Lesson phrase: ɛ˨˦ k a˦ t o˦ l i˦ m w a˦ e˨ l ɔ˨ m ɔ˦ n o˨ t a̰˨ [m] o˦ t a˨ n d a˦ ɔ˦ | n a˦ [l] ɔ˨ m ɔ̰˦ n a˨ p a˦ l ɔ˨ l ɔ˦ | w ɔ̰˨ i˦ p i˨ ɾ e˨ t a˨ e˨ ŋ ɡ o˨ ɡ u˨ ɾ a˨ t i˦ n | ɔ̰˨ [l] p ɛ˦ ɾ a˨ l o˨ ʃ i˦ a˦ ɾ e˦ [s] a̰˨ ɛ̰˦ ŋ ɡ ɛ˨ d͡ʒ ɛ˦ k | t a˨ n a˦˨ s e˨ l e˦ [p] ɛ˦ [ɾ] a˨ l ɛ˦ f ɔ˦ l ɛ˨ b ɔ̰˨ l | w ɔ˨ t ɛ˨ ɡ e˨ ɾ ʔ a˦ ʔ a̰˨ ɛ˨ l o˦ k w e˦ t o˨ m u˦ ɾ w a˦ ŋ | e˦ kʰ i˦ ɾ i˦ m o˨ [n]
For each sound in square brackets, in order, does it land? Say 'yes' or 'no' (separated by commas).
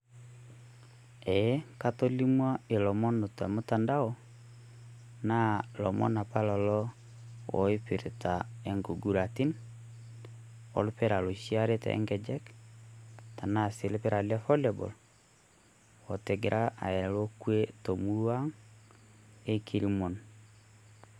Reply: yes, yes, yes, no, yes, yes, yes